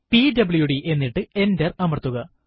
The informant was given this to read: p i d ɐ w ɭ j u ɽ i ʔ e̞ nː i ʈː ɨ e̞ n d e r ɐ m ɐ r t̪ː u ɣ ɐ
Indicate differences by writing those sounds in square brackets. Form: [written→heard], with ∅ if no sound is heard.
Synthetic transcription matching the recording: p i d ɐ [w→b] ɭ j u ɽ i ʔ e̞ nː i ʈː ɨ e̞ n d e r ɐ m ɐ r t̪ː u ɣ ɐ